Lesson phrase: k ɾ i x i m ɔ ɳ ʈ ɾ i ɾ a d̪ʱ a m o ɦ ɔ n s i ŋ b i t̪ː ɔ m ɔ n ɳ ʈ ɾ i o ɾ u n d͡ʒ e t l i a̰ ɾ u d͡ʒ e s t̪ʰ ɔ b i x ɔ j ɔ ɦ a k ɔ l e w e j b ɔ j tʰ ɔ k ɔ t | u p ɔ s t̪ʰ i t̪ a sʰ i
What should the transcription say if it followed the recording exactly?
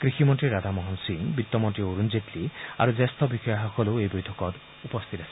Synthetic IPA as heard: k ɾ i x i m ɔ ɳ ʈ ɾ i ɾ a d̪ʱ a m ɔ ɦ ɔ n s i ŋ b i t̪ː ɔ m ɔ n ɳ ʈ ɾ i o ɾ u n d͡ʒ e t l i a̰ ɾ u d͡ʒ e s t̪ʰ ɔ b i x ɔ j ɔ ɦ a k ɔ l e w e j b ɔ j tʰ ɔ k ɔ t | u p ɔ s t̪ʰ i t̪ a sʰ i